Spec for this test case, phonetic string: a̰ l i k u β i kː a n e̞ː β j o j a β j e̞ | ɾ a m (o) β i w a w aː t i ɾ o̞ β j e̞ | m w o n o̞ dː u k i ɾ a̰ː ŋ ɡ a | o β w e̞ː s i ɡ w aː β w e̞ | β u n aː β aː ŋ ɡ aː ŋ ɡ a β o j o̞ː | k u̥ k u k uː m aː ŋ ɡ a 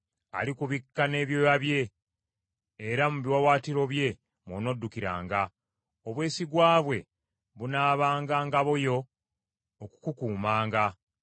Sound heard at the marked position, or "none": u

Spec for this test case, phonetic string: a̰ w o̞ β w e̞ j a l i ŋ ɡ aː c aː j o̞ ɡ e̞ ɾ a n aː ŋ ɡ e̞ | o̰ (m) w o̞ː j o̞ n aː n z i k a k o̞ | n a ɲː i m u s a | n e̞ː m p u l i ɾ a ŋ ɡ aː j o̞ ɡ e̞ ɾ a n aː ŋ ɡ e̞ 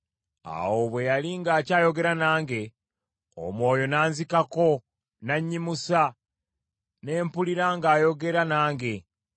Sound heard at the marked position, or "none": m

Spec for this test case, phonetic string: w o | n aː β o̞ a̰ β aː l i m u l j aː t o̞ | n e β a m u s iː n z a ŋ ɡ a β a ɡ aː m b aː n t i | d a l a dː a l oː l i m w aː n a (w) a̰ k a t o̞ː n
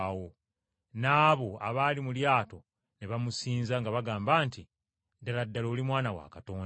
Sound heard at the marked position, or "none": w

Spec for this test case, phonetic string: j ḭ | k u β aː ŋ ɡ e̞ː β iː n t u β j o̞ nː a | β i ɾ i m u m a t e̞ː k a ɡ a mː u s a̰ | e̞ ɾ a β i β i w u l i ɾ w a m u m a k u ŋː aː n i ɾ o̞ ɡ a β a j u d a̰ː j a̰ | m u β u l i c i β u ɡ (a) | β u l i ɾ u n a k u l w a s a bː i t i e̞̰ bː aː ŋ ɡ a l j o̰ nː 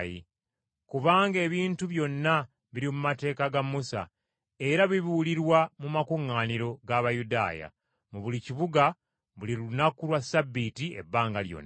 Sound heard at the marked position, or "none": a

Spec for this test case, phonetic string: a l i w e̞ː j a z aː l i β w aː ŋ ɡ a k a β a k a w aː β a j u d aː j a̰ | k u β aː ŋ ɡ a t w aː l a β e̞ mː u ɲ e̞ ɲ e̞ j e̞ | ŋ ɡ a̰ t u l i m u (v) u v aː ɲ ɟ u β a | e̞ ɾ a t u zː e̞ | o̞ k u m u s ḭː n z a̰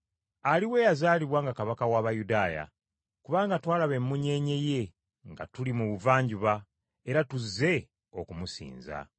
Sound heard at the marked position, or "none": β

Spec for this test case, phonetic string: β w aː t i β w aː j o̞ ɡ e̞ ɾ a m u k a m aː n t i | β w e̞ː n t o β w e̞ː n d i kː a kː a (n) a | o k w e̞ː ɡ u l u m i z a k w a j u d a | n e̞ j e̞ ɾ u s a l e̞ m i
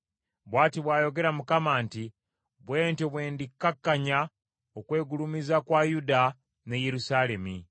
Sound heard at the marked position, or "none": ɲ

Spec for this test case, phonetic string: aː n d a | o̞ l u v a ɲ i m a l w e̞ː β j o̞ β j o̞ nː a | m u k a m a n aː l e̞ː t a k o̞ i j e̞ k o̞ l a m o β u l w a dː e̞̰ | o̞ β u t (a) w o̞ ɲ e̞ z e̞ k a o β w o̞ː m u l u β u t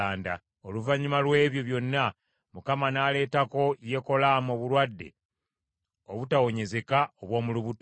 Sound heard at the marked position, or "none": a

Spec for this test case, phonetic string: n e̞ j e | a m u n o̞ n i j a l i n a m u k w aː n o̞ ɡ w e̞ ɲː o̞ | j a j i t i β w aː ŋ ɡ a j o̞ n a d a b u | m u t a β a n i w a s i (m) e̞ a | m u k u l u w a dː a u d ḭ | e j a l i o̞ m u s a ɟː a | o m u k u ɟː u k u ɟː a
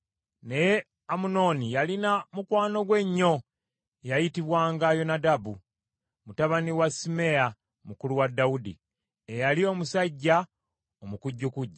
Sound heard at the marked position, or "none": m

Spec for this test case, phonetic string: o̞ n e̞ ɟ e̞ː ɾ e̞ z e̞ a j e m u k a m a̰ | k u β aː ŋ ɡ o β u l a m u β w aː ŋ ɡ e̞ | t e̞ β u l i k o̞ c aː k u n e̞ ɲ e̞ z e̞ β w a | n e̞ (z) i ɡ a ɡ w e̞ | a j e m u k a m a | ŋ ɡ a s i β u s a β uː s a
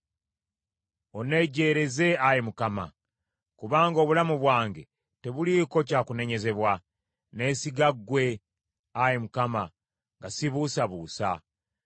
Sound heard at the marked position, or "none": s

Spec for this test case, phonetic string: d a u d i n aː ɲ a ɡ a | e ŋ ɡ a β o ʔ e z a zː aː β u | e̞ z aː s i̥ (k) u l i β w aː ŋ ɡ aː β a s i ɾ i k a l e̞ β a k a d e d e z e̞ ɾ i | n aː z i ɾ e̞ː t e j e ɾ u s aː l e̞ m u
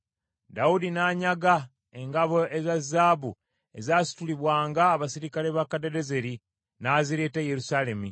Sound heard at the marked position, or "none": t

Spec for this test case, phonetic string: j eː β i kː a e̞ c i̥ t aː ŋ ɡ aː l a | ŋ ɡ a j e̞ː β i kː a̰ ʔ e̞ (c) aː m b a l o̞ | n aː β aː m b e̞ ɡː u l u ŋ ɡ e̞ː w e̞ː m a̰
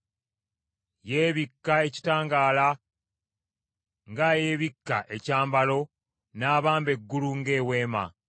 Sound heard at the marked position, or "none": c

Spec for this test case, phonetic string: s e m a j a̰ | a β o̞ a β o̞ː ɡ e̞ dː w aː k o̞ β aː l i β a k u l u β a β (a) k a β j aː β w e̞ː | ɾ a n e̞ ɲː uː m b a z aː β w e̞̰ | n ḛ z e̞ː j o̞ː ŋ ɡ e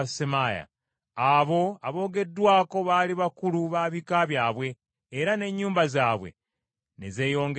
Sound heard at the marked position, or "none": i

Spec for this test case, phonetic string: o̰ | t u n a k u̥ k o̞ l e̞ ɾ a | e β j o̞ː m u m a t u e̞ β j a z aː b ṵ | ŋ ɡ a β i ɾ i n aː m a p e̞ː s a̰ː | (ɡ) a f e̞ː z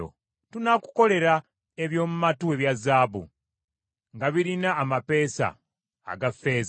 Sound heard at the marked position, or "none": ɡ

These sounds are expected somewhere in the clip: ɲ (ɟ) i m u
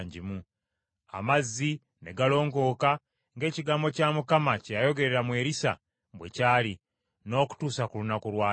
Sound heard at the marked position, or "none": ɟ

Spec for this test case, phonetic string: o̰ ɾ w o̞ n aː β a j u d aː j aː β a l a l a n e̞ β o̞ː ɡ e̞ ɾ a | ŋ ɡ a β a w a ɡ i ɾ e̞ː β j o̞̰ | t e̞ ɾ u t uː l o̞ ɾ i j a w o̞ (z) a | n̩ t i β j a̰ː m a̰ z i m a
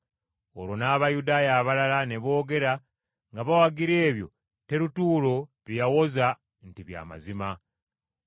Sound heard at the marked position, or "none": z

